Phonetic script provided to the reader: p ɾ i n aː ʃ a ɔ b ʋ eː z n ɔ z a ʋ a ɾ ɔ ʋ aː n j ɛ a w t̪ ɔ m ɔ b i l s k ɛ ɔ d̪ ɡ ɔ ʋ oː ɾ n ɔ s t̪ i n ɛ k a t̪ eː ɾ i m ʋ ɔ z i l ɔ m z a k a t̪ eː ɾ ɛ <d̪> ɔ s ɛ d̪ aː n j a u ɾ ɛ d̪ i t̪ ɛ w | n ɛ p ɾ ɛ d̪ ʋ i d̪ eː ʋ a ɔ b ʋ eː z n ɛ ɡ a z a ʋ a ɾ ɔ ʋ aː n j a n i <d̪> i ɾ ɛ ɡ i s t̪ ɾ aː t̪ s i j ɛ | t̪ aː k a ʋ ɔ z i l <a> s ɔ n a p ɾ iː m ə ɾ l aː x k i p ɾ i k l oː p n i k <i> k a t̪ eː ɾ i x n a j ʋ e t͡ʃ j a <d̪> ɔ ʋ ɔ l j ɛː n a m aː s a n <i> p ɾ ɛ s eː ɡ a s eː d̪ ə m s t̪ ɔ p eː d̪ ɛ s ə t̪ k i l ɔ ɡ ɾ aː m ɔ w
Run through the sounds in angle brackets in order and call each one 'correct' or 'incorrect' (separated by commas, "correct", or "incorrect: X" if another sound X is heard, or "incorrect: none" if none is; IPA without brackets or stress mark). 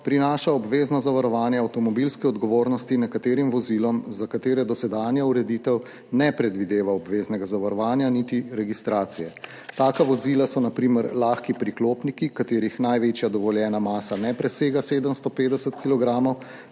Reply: correct, incorrect: t̪, correct, correct, correct, incorrect: ɛ